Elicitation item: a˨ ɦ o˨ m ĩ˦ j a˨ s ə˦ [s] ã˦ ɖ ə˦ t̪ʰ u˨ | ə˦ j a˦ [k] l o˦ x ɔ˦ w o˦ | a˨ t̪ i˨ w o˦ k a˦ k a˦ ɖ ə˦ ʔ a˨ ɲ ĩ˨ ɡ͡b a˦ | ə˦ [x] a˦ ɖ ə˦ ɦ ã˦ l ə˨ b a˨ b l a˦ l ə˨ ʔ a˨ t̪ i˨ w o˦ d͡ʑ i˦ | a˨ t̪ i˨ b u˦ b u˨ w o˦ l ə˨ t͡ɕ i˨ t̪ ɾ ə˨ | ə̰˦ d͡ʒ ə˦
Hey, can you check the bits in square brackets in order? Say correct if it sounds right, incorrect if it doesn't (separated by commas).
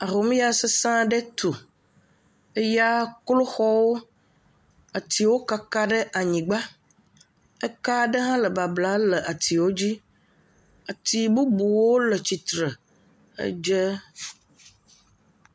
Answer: correct, correct, incorrect